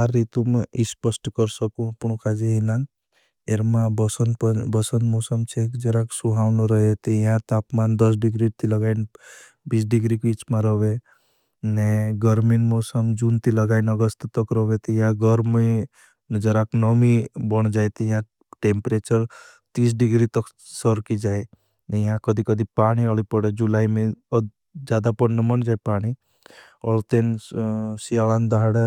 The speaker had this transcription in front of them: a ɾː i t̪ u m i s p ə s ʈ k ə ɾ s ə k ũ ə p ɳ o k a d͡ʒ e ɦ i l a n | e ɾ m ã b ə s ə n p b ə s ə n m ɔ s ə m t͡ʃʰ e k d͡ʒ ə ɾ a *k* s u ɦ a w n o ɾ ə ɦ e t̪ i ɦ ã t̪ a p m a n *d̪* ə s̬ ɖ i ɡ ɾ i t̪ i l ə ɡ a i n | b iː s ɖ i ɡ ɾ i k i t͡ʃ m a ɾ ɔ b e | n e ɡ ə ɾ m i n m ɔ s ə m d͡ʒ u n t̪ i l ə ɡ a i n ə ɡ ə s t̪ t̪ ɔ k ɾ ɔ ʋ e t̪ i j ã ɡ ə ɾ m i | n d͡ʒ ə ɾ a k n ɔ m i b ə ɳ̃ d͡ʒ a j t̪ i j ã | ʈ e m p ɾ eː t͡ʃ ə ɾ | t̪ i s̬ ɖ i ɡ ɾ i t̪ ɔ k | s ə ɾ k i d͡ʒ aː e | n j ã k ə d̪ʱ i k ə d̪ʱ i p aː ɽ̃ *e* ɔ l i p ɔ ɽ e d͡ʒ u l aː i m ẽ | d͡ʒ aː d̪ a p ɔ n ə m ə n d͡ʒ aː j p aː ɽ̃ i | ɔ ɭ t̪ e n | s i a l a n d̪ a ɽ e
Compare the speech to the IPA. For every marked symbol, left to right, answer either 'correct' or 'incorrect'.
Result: correct, correct, incorrect

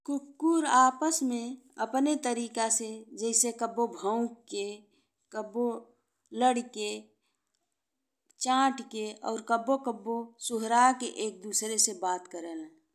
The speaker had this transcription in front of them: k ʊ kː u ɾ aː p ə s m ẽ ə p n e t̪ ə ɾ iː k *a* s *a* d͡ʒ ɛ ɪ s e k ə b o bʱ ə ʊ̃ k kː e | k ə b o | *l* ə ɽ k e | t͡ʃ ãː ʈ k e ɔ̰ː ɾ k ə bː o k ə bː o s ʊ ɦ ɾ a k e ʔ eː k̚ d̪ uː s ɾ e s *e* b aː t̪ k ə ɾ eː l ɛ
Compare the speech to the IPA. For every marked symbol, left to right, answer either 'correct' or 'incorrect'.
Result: correct, incorrect, correct, correct

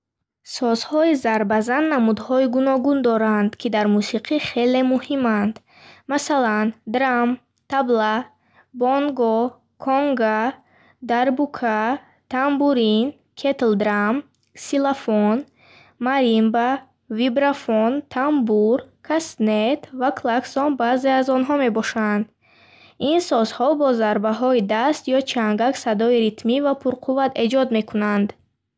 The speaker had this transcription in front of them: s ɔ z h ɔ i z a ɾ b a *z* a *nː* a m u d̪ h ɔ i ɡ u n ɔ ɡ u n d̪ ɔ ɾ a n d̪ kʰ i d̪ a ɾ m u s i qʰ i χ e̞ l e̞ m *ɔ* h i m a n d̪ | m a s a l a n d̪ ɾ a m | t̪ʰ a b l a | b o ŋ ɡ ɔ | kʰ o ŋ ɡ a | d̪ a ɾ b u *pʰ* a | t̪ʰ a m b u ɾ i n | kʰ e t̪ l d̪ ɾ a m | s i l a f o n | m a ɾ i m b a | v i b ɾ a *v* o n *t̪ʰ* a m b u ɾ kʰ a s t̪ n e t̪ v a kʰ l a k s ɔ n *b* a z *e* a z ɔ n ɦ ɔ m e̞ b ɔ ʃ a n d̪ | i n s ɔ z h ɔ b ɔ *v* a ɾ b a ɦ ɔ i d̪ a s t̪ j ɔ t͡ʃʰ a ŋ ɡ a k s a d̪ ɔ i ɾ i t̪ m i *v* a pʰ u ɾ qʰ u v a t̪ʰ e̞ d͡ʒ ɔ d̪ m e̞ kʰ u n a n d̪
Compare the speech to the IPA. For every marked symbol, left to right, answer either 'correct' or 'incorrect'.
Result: correct, correct, incorrect, incorrect, incorrect, correct, correct, correct, incorrect, correct

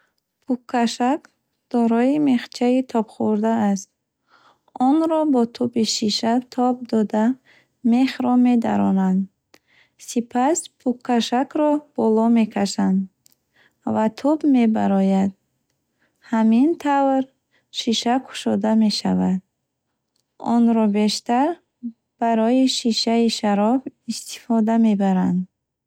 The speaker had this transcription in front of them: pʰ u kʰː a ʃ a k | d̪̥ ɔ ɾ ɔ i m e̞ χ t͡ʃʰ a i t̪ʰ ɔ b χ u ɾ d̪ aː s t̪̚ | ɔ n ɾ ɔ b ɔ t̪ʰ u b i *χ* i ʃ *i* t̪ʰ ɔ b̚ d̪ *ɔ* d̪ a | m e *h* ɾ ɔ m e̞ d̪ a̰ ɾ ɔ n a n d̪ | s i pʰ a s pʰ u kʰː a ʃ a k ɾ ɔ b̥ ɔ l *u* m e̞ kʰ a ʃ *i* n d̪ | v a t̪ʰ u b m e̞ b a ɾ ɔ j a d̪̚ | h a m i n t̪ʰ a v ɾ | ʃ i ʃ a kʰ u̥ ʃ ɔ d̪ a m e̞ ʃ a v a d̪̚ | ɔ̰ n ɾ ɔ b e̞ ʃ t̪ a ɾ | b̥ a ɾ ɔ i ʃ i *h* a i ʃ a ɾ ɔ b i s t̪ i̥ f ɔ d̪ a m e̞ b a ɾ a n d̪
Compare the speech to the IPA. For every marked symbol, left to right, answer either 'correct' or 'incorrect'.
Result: incorrect, incorrect, correct, incorrect, incorrect, incorrect, incorrect

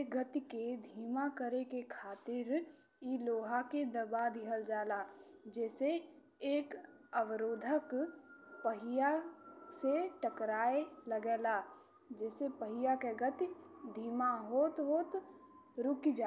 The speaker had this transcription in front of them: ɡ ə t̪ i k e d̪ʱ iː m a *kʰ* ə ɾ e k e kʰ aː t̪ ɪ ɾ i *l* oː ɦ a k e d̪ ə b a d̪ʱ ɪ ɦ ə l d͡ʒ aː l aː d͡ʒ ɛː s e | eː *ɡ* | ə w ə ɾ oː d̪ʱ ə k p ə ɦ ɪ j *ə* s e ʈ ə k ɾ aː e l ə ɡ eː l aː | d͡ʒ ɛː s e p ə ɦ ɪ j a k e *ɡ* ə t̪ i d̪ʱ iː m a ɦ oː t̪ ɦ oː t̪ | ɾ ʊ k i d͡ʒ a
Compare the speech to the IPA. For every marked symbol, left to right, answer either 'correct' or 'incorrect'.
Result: incorrect, correct, incorrect, incorrect, correct

